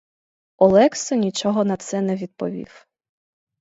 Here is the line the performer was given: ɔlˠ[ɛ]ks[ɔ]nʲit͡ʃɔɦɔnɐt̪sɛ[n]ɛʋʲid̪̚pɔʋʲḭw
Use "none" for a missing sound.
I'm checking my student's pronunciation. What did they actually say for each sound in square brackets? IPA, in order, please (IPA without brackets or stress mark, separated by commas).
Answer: ɛ, ɔ, n